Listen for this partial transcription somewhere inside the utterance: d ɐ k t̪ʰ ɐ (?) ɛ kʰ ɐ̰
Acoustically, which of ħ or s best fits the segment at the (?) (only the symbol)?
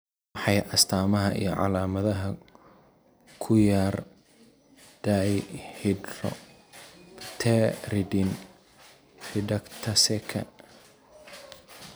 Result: s